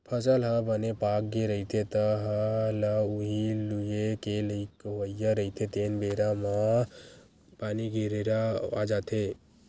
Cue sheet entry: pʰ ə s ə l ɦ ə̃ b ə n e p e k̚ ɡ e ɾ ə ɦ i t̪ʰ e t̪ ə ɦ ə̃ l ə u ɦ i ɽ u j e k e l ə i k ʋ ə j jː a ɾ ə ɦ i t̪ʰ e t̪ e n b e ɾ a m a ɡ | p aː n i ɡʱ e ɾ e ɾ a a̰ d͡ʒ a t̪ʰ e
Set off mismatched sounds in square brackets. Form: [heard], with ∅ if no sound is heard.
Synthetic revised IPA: pʰ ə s ə l ɦ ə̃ b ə n e p [a] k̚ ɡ e ɾ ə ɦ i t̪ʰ e t̪ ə ɦ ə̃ l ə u ɦ i [l] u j e k e l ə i k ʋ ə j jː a ɾ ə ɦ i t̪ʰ e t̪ e n b e ɾ a m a [∅] | p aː n i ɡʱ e ɾ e ɾ a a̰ d͡ʒ a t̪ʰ e